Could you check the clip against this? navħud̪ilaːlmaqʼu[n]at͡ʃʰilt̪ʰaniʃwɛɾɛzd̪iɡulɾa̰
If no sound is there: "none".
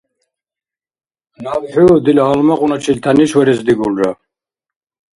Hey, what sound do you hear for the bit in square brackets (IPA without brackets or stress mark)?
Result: n